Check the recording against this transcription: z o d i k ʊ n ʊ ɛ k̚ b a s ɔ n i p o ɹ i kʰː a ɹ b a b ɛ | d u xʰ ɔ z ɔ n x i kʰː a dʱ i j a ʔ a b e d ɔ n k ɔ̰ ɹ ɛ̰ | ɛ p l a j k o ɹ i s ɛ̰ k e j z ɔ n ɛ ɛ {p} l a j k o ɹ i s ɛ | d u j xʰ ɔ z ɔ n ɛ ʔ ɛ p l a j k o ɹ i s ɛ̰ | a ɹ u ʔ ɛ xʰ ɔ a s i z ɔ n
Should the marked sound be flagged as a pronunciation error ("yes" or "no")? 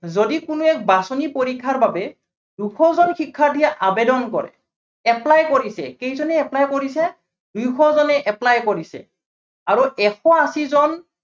no